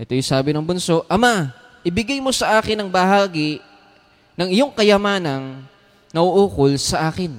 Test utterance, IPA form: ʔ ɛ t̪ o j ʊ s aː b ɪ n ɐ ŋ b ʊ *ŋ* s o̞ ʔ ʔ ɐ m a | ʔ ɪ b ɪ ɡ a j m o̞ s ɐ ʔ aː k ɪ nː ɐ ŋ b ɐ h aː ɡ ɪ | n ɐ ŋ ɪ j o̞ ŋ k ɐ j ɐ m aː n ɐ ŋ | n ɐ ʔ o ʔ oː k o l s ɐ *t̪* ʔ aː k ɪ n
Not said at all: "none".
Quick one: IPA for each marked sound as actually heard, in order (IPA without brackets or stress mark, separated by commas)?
n, none